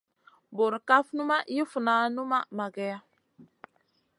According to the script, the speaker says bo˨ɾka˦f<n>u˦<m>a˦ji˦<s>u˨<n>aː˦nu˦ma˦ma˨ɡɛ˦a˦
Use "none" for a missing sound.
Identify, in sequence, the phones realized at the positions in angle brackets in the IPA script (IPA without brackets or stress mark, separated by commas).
n, m, f, n